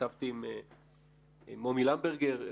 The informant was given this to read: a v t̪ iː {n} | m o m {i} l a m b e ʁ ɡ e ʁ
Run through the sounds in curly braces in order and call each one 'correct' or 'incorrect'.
incorrect: m, correct

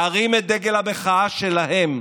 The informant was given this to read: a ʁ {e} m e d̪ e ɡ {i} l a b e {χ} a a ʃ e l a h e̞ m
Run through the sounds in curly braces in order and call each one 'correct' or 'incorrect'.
incorrect: i, incorrect: e, correct

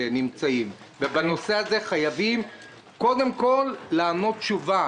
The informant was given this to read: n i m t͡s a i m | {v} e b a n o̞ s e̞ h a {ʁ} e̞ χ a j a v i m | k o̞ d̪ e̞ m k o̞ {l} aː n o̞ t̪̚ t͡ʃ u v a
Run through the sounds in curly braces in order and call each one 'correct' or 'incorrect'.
correct, incorrect: z, incorrect: lː

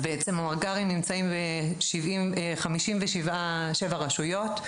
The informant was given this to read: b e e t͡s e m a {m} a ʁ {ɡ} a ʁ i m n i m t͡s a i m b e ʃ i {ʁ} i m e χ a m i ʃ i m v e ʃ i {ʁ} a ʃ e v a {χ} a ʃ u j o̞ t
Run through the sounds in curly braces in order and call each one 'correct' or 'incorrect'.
correct, correct, incorrect: v, incorrect: v, incorrect: ʁ

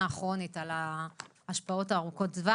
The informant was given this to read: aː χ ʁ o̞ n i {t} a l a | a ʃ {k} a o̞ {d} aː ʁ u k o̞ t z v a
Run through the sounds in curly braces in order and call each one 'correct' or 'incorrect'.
correct, incorrect: p, incorrect: t

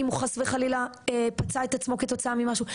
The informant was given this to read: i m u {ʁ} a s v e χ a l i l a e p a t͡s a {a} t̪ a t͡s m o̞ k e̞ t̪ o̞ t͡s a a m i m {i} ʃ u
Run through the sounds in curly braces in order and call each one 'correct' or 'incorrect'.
incorrect: χ, incorrect: e, incorrect: a

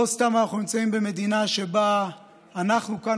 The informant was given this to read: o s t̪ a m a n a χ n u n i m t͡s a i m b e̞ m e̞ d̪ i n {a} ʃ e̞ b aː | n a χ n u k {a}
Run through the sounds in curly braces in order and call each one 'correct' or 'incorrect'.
correct, correct

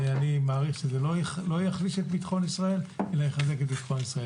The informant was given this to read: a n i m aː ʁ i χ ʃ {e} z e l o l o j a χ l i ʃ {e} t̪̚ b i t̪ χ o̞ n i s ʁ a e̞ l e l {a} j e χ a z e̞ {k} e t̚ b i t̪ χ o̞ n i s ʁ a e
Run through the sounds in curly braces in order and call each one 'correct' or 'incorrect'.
correct, correct, correct, correct

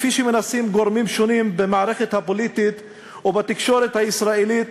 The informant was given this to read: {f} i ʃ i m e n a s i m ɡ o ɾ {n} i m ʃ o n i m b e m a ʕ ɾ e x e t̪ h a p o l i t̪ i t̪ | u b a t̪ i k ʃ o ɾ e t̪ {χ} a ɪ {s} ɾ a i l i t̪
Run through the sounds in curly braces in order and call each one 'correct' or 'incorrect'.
correct, incorrect: m, incorrect: h, correct

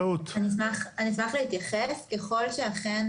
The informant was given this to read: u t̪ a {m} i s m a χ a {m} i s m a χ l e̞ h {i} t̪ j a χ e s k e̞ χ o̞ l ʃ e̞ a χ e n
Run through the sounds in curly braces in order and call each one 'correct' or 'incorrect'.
incorrect: n, incorrect: n, correct

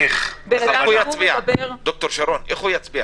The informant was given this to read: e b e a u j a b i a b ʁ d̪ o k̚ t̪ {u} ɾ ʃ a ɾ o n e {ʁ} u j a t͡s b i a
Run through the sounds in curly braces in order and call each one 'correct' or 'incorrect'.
incorrect: o, incorrect: χ

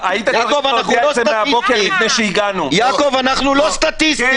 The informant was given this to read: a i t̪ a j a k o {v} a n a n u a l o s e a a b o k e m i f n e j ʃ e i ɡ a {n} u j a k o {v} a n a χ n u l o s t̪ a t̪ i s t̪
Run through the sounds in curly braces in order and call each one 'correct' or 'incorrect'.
correct, correct, correct

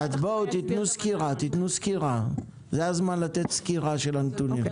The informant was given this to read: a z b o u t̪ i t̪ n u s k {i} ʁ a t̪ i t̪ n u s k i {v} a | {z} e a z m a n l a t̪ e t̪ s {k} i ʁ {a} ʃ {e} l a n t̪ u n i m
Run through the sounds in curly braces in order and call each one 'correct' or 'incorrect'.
correct, incorrect: ʁ, correct, correct, correct, correct

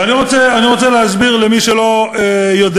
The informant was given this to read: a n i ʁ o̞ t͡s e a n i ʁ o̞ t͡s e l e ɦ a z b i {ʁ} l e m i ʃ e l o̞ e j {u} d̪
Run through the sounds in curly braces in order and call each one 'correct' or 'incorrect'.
correct, incorrect: o

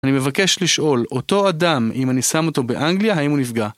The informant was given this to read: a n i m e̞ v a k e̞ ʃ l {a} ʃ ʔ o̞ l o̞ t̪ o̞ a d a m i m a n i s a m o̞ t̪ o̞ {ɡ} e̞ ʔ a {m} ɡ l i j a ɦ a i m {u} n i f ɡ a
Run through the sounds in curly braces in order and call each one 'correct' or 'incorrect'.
incorrect: i, incorrect: b, incorrect: ŋ, correct

